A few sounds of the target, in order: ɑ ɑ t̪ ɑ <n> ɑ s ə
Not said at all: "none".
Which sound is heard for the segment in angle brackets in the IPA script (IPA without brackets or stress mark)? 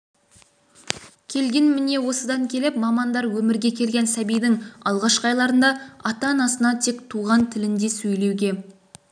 n